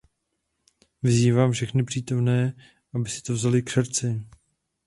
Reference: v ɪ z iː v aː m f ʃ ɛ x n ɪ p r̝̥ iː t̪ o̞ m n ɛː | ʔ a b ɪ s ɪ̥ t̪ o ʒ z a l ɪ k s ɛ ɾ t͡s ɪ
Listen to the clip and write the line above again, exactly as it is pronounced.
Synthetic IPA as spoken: v ɪ z iː v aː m f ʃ ɛ x n ɪ p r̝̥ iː t̪ o̞ m n ɛː | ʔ a b ɪ s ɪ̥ t̪ o v z a l ɪ k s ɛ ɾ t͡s ɪ